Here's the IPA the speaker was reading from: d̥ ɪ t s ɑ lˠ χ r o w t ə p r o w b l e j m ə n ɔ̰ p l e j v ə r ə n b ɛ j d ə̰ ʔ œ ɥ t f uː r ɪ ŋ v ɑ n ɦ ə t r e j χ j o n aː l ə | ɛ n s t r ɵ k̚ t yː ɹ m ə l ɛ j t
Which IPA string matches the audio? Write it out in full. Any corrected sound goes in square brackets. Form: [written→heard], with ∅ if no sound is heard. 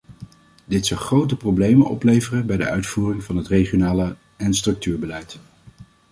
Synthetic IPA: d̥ ɪ t s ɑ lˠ χ r o w t ə p r o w b l e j m ə n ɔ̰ p l e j v ə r ə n b ɛ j d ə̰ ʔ œ ɥ t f uː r ɪ ŋ v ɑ n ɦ ə t r e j χ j o n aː l ə | ɛ n s t r ɵ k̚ t yː ɹ [m→b] ə l ɛ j t